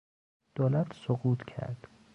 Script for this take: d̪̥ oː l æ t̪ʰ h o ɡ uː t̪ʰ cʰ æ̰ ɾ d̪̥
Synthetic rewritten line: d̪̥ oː l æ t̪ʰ s o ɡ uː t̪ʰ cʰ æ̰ ɾ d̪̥